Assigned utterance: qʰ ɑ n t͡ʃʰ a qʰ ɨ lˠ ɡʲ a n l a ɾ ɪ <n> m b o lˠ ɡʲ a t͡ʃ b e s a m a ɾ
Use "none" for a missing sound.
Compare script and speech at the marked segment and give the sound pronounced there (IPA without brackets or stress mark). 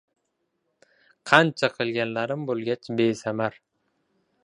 none